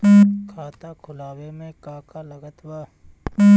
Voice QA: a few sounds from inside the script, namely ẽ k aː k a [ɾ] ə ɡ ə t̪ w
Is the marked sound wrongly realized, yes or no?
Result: yes